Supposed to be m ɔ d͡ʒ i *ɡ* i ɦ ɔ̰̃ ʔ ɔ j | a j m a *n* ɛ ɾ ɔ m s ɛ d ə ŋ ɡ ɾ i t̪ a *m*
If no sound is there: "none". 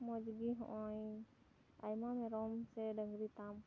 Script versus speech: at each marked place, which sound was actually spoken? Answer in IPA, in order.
ɡ, m, m

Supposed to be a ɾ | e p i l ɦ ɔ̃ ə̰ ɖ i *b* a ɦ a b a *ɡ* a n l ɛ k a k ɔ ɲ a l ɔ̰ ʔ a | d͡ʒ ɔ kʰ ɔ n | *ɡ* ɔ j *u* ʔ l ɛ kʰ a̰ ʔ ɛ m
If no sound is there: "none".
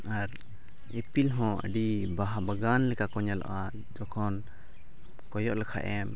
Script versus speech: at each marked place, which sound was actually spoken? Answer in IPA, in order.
b, ɡ, k, ɔ

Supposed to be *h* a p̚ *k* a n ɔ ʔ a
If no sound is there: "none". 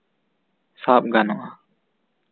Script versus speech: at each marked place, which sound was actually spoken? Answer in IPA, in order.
s, ɡ

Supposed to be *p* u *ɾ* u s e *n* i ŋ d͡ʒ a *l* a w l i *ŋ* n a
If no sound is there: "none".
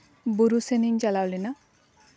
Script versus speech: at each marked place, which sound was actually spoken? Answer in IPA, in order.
b, ɾ, n, l, none

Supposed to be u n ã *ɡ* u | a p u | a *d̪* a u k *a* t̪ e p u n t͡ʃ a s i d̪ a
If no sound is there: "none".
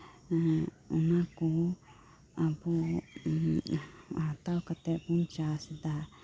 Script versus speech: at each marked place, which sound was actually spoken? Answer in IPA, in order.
k, t̪, a

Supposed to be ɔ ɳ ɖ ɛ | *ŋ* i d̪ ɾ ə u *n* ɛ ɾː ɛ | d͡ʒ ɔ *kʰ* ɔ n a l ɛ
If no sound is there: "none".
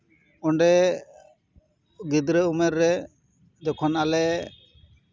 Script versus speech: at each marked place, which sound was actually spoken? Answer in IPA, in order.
ɡ, m, kʰ

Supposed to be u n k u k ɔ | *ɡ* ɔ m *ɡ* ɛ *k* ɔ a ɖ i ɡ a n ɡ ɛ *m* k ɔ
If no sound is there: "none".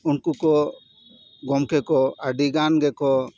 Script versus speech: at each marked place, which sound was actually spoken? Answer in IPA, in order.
ɡ, k, k, none

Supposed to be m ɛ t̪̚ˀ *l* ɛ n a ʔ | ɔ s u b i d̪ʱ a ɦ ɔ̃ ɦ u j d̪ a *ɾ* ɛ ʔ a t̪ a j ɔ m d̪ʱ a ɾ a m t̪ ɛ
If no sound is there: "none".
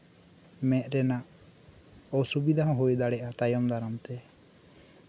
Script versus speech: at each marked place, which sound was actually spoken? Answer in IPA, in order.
ɾ, ɽ

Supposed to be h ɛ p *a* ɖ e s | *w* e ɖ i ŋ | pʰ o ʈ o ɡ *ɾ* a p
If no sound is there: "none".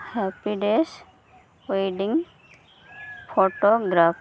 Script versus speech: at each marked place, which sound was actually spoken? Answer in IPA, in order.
i, w, ɾ

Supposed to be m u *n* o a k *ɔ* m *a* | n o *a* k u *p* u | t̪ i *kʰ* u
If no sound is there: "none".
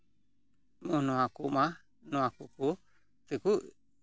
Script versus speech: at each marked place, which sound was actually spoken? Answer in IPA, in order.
n, u, a, a, k, k

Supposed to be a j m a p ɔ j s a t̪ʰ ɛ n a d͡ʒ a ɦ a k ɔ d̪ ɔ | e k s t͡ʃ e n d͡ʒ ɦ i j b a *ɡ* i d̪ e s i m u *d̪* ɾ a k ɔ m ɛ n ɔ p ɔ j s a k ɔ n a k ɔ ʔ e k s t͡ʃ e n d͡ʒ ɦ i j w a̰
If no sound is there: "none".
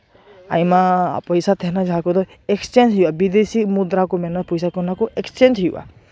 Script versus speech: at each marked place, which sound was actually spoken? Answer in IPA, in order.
b, d̪

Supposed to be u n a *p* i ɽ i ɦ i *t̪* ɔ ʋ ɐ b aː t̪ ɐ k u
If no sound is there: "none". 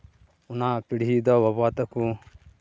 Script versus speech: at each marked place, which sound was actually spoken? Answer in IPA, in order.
p, d̪

